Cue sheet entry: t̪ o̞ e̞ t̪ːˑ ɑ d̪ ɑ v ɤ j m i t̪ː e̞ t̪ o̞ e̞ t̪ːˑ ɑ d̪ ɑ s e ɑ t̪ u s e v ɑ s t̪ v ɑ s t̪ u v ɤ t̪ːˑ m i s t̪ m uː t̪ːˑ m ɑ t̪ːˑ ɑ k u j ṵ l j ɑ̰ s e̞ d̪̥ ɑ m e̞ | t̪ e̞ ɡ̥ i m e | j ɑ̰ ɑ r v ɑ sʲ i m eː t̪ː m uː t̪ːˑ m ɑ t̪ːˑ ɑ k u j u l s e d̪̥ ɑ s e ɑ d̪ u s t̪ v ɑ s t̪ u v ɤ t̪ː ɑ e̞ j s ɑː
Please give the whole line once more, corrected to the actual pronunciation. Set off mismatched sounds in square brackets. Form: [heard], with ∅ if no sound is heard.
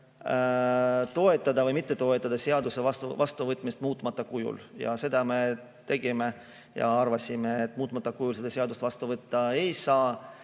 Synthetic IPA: t̪ o̞ e̞ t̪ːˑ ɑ d̪ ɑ v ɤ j m i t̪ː e̞ t̪ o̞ e̞ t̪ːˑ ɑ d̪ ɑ s e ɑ [d̪] u s e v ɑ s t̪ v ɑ s t̪ u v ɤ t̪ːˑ m i s t̪ m uː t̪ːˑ m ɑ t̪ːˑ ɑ k u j ṵ l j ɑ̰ s e̞ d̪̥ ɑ m e̞ | t̪ e̞ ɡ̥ i m e | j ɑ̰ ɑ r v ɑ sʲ i m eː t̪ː m uː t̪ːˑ m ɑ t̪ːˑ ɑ k u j u l s e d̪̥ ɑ s e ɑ d̪ u s t̪ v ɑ s t̪ u v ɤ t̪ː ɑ e̞ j s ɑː